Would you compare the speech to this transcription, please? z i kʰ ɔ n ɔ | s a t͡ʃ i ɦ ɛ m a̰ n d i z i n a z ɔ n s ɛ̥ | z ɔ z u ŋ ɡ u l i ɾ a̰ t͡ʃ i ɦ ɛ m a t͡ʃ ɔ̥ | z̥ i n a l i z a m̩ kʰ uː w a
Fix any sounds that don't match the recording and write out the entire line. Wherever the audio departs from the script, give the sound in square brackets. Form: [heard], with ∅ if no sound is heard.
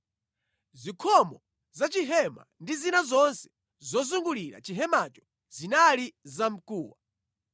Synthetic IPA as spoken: z i kʰ ɔ [m] ɔ | [z] a t͡ʃ i ɦ ɛ m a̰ n d i z i n a z ɔ n s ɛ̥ | z ɔ z u ŋ ɡ u l i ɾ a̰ t͡ʃ i ɦ ɛ m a t͡ʃ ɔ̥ | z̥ i n a l i z a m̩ [k] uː w a

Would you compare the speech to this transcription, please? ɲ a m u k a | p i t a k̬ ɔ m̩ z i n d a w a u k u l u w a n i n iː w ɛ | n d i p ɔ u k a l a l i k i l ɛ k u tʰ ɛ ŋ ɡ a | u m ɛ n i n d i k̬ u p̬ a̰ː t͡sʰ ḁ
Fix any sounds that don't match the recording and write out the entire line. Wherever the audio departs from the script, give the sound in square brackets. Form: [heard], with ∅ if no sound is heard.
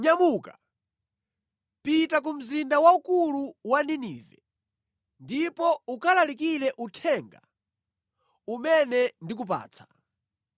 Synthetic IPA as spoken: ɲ a m u k a | p i t a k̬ [u] m̩ z i n d a w a u k u l u w a n i n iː [v] ɛ | n d i p ɔ u k a l a l i k i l ɛ [ʔ] u tʰ ɛ ŋ ɡ a | u m ɛ n [ɛ] n d i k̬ u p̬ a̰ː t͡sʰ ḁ

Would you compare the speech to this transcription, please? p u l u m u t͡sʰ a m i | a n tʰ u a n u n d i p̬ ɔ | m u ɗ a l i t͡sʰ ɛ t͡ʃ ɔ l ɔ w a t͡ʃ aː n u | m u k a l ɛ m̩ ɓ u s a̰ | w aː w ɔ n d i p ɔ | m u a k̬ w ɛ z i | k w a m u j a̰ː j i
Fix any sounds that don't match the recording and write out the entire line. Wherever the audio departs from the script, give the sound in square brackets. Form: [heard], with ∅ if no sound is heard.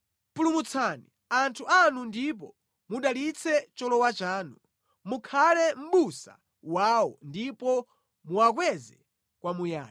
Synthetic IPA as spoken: p u l u m u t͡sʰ a [n] i | a n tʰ u a n u n d i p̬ ɔ | m u ɗ a l i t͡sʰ ɛ t͡ʃ ɔ l ɔ w a t͡ʃ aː n u | m u [kʰ] a l ɛ m̩ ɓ u s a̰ | w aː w ɔ n d i p ɔ | m u a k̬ w ɛ z [ɛ] | k w a m u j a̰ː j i

